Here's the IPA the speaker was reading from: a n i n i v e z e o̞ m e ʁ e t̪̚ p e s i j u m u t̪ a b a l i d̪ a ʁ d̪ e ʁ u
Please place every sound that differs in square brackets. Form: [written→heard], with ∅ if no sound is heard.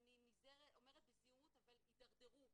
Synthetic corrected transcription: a n i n i [v→z] e [z→ʁ] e o̞ m e ʁ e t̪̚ [p→b] e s i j u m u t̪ a [b→v] a l i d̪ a ʁ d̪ e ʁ u